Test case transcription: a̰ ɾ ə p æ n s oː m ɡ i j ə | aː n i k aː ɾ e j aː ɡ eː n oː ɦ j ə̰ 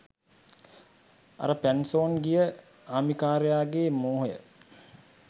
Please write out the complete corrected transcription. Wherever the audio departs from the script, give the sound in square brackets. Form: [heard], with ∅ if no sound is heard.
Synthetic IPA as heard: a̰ ɾ ə p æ n s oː [n] ɡ i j ə | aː [m] i k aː ɾ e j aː ɡ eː [m] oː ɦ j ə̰